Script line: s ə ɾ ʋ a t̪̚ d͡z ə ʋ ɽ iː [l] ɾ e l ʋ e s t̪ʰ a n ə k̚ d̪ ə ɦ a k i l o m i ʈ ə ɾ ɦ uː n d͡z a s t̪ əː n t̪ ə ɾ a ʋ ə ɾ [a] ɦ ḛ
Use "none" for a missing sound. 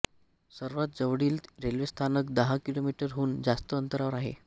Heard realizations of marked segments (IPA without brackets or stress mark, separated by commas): l, a